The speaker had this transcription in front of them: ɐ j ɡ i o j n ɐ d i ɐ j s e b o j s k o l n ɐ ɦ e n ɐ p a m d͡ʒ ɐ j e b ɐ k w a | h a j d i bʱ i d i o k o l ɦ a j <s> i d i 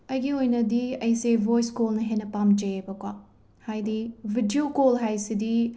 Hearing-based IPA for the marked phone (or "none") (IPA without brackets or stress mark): s